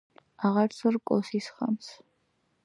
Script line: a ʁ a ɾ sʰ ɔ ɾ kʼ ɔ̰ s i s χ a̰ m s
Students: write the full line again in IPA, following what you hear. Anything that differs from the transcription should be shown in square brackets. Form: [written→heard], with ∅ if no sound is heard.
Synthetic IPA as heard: a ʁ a ɾ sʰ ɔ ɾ kʼ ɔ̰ s i s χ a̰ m s